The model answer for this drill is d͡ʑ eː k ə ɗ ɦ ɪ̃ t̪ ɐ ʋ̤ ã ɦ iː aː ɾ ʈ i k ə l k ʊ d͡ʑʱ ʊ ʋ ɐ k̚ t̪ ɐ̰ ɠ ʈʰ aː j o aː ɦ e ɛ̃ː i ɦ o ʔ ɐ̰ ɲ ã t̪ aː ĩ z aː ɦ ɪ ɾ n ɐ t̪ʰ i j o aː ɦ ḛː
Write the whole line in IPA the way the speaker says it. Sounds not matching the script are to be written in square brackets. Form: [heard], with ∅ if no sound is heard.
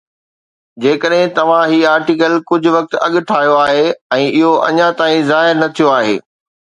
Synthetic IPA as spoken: d͡ʑ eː k ə ɗ ɦ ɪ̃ t̪ ɐ ʋ̤ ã ɦ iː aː ɾ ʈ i k ə l k ʊ d͡ʑʱ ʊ ʋ ɐ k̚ t̪ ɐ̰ ɠ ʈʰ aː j o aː ɦ e ɛ̃ː [ɪ] ɦ o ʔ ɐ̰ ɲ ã t̪ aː ĩ z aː ɦ ɪ ɾ n ɐ t̪ʰ i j o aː ɦ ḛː

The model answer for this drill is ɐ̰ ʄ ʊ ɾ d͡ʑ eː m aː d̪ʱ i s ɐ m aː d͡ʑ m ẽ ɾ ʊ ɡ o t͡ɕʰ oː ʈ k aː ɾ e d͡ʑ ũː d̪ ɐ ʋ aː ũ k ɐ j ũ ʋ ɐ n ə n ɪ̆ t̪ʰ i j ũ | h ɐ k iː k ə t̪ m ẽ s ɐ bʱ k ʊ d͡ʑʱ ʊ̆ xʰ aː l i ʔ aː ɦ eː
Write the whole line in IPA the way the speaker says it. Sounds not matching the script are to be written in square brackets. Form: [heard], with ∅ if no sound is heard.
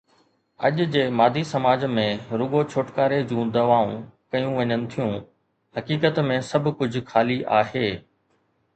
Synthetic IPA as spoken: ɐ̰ ʄ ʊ [∅] d͡ʑ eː m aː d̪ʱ i s ɐ m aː d͡ʑ m ẽ ɾ ʊ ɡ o t͡ɕʰ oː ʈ k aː ɾ e d͡ʑ ũː d̪ ɐ ʋ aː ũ k ɐ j ũ ʋ ɐ [ɲ] ə n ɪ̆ t̪ʰ i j ũ | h ɐ k iː k ə t̪ m ẽ s ɐ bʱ k ʊ d͡ʑʱ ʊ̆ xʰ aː l i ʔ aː ɦ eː

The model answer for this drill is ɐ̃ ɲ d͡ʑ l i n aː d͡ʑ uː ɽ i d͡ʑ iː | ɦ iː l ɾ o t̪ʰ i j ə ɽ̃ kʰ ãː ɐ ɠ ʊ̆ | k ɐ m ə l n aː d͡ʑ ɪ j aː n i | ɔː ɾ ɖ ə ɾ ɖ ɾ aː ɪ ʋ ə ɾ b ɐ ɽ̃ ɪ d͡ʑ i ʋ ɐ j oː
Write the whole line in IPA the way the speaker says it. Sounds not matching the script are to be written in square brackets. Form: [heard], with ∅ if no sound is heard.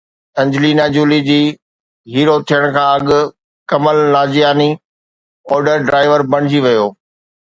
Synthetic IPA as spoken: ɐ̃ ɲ d͡ʑ l i n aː d͡ʑ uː [l] i d͡ʑ iː | ɦ iː [∅] ɾ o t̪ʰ i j ə ɽ̃ kʰ ãː ɐ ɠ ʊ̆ | k ɐ m ə l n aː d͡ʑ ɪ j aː n i | ɔː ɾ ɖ ə ɾ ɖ ɾ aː ɪ ʋ ə ɾ b ɐ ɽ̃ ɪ d͡ʑ i ʋ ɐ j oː

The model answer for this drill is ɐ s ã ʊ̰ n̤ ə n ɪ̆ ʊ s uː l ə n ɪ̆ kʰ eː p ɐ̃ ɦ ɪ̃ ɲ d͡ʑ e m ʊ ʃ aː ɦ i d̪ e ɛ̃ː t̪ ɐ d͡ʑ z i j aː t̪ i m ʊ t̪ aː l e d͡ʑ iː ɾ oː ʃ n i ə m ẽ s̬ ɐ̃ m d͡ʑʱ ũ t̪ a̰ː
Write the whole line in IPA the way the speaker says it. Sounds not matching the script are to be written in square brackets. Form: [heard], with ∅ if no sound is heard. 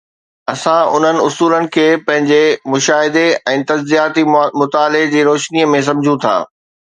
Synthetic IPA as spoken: ɐ s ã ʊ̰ n̤ ə n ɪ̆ ʊ s uː l ə n ɪ̆ kʰ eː p ɐ̃ ɦ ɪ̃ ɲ d͡ʑ e m ʊ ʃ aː ɦ [ɪ] d̪ e ɛ̃ː t̪ ɐ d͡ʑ z i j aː t̪ i m ʊ t̪ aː l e d͡ʑ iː ɾ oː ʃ n i ə m ẽ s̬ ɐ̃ m d͡ʑʱ ũ [t̪ʰ] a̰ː

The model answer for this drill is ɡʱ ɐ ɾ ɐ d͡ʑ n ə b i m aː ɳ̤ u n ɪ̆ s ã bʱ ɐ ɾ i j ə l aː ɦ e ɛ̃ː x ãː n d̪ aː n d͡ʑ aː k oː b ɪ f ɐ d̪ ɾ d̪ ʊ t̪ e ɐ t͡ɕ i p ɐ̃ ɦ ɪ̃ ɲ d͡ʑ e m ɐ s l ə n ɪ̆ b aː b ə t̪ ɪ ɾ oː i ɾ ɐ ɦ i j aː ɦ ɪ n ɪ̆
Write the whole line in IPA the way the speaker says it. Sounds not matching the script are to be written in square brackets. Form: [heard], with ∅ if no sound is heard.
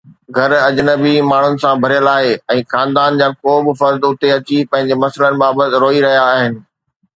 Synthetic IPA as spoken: ɡʱ ɐ ɾ ɐ d͡ʑ n ə b i m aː ɳ̤ [ʊ] n ɪ̆ s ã bʱ ɐ ɾ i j ə l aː ɦ e ɛ̃ː x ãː n d̪ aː n d͡ʑ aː k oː b ɪ f ɐ [∅] ɾ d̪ ʊ t̪ e ɐ t͡ɕ i p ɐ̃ ɦ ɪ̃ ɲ d͡ʑ e m ɐ s l ə n ɪ̆ b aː b ə t̪ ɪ ɾ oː i ɾ ɐ ɦ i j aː ɦ ɪ n ɪ̆

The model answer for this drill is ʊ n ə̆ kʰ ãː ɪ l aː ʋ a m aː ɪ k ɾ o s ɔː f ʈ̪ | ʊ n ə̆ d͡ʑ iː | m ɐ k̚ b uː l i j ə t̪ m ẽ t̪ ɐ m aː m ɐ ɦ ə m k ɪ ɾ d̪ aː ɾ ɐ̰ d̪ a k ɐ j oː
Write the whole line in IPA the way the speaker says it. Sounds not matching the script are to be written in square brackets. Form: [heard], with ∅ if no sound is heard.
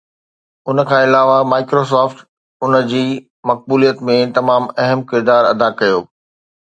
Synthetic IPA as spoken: ʊ n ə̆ kʰ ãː ɪ l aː ʋ a m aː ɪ k ɾ o s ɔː f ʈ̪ | ʊ n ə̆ d͡ʑ iː | m ɐ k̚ b uː l i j ə t̪ m ẽ t̪ ɐ m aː m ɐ ɦ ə m k ɪ ɾ d̪ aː ɾ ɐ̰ d̪ a k ɐ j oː

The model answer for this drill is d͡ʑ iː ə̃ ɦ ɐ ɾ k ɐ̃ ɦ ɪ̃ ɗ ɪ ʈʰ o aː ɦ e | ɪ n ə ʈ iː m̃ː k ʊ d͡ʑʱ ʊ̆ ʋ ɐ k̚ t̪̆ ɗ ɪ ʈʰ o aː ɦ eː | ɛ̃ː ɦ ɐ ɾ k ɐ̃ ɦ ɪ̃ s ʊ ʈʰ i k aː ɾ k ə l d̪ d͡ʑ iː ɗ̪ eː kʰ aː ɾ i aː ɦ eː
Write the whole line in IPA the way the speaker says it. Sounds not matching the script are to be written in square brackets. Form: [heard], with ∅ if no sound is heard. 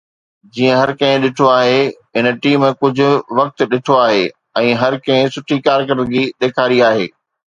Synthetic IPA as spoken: d͡ʑ iː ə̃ ɦ ɐ ɾ k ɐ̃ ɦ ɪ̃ ɗ ɪ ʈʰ o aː ɦ e | ɪ n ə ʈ iː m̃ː k ʊ d͡ʑʱ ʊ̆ ʋ ɐ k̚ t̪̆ ɗ ɪ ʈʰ o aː ɦ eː | ɛ̃ː ɦ ɐ ɾ k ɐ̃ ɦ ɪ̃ s ʊ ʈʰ i k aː ɾ k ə [ɾ] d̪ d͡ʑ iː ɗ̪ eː kʰ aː ɾ i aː ɦ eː

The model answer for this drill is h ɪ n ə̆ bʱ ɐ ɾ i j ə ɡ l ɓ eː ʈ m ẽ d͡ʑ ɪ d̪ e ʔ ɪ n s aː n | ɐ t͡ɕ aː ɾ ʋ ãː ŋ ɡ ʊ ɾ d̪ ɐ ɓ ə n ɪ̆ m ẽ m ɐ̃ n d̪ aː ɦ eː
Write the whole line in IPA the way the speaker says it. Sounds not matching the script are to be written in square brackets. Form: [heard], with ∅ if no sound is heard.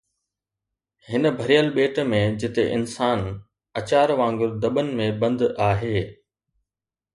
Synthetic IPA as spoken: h ɪ n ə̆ bʱ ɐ ɾ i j ə [∅] l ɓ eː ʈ m ẽ d͡ʑ ɪ [t̪] e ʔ ɪ n s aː n | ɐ t͡ɕ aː ɾ ʋ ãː ŋ ɡ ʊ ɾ d̪ ɐ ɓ ə n ɪ̆ m ẽ [b] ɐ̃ n d̪ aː ɦ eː

